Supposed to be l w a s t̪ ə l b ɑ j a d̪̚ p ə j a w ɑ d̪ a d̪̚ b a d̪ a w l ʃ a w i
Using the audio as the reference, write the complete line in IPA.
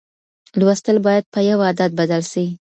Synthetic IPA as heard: l w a s t̪ ə l b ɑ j a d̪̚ p ə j a w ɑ d̪ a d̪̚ b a d̪ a l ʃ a w i